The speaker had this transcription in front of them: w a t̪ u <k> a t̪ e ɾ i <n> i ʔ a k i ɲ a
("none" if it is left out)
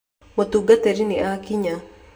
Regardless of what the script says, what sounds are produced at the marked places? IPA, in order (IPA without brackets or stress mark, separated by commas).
ɡ, n